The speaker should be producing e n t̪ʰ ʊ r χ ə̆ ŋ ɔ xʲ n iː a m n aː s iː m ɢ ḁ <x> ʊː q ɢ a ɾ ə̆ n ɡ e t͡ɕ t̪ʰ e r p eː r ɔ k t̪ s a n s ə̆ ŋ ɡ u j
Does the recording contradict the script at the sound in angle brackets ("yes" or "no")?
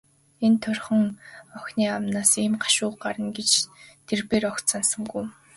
yes